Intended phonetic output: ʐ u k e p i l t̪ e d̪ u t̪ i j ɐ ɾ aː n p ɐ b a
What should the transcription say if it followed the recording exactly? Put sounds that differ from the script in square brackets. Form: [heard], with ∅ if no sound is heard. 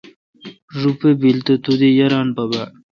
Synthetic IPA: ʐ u [p] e [b] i l t̪ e [t̪] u [d̪] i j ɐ ɾ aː n p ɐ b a